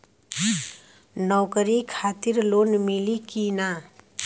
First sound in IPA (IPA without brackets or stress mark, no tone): n